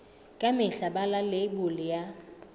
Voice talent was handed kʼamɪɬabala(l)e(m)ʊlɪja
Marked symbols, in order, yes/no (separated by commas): yes, no